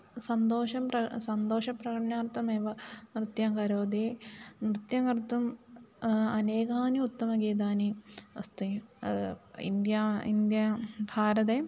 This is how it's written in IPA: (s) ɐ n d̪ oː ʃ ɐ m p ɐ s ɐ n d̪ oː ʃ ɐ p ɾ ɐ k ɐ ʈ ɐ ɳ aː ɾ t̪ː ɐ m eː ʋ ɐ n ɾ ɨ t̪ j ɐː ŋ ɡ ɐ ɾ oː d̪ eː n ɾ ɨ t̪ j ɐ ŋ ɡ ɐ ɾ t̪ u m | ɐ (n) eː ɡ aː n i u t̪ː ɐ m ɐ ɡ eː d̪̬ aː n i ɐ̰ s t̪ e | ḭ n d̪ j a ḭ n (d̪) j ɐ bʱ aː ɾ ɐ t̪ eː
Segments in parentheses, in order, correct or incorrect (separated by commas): correct, correct, correct